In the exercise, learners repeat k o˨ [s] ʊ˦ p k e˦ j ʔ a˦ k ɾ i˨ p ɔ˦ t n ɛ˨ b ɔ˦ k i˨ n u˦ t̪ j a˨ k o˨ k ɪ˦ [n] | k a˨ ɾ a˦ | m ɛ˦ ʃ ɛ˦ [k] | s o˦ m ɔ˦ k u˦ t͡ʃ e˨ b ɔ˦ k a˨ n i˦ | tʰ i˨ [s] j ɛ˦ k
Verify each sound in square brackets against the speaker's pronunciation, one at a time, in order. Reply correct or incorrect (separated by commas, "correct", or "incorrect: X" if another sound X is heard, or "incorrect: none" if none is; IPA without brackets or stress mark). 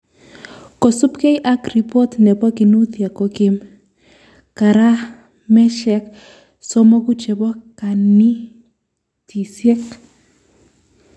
correct, incorrect: m, correct, correct